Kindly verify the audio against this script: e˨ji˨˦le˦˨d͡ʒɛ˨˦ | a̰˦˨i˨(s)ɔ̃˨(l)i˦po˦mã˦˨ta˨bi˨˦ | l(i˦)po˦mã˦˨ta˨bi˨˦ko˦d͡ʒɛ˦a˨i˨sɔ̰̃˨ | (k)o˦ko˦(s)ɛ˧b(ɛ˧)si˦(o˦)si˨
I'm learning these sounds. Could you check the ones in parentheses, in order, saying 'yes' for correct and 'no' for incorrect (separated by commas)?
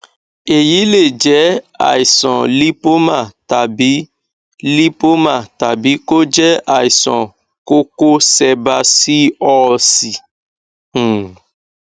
yes, yes, yes, yes, yes, no, no